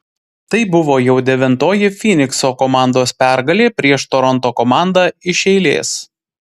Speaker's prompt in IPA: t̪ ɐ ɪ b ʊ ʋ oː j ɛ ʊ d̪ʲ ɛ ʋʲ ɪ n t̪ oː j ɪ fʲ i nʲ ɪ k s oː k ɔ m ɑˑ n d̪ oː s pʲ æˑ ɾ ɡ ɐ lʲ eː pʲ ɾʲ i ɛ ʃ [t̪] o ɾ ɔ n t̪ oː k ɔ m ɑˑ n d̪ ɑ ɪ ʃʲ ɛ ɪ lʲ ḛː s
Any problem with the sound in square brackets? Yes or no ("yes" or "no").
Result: no